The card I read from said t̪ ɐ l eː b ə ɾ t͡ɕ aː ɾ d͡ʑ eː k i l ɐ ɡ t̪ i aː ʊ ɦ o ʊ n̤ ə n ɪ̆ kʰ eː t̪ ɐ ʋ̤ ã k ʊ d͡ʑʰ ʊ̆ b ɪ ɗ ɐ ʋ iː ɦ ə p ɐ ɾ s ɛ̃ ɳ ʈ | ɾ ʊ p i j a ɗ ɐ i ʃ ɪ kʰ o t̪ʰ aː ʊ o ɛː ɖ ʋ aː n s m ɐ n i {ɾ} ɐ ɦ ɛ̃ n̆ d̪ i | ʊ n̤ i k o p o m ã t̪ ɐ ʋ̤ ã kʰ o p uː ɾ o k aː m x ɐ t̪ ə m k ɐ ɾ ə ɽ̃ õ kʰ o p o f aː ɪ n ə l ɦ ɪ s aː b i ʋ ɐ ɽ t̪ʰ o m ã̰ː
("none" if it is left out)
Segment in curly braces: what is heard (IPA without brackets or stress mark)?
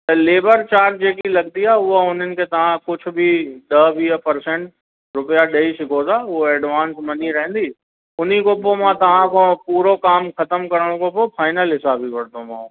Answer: ɾ